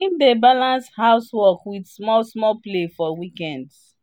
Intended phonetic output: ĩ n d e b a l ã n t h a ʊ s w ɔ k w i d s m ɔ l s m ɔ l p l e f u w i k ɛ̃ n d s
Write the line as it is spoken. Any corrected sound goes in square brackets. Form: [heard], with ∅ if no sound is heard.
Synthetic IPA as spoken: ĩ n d e b a l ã n [s] h a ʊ s w ɔ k w i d s m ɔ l s m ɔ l p l e f [ɔ] w i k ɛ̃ n d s